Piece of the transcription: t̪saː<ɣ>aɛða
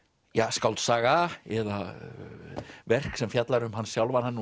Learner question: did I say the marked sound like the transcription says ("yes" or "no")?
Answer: yes